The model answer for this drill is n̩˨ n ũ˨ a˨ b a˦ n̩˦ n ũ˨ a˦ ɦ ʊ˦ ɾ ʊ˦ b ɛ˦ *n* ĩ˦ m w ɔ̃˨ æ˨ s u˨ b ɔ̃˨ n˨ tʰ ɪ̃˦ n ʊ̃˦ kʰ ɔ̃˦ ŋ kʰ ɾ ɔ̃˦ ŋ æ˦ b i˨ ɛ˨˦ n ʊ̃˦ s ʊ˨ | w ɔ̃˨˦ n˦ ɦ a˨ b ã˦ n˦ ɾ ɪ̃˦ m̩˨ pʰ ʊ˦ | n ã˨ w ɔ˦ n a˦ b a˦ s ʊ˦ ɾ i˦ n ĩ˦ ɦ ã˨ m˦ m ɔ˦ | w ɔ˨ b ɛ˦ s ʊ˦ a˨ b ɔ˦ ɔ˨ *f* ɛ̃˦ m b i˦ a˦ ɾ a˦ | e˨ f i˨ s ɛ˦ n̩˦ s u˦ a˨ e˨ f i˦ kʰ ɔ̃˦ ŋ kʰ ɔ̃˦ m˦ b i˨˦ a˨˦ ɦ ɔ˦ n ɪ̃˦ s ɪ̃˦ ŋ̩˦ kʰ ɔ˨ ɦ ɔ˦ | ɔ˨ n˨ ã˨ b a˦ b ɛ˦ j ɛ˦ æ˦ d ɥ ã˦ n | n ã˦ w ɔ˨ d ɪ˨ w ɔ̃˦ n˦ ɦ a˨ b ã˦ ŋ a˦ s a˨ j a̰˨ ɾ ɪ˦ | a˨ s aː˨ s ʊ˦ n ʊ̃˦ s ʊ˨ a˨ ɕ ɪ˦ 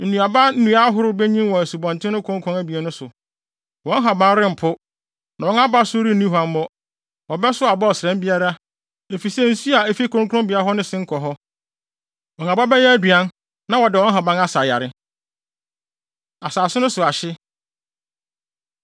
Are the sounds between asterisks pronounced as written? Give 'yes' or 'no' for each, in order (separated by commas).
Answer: no, no